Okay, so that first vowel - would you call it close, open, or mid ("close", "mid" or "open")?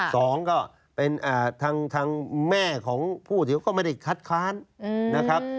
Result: mid